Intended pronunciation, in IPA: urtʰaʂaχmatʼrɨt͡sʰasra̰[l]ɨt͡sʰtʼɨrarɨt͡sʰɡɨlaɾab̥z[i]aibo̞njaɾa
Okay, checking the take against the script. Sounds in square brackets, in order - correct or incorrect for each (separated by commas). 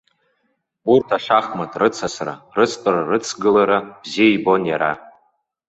incorrect, correct